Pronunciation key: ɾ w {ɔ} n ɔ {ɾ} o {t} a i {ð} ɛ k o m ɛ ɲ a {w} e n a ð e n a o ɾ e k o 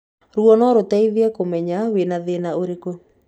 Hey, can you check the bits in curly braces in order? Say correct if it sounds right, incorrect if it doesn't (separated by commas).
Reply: correct, correct, correct, correct, correct